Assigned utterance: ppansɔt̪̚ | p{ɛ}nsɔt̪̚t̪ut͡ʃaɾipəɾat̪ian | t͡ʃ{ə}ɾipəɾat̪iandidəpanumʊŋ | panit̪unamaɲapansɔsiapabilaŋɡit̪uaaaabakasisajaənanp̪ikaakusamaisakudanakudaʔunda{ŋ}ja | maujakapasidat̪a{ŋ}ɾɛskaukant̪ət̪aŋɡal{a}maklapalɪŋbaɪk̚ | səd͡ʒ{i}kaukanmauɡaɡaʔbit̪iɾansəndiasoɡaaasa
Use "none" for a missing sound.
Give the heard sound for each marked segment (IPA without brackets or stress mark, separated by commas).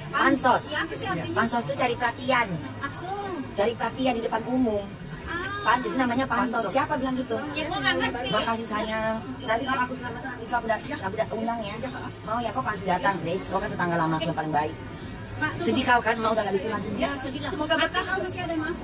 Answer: a, a, ŋ, ŋ, a, i